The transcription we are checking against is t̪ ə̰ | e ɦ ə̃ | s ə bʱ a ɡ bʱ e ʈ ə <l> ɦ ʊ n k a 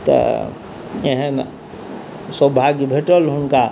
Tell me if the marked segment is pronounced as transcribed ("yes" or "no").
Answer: yes